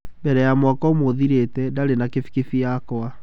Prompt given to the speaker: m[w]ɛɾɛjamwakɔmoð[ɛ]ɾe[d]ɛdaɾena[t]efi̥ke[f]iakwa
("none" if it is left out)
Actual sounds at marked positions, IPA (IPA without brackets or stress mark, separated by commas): b, i, t, k, f